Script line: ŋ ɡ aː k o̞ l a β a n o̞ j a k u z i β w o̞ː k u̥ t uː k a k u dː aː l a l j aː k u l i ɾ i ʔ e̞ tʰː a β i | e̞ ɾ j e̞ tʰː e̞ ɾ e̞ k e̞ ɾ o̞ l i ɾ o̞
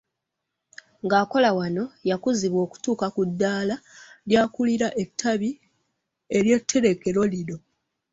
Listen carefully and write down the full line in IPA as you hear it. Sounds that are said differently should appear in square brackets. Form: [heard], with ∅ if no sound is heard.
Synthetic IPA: ŋ ɡ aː k o̞ l a [w] a n o̞ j a k u z i β w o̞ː k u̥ t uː k a k u dː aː l a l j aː k u l i ɾ [a] ʔ e̞ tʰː a β i | e̞ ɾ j e̞ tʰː e̞ ɾ e̞ k e̞ ɾ o̞ l i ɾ o̞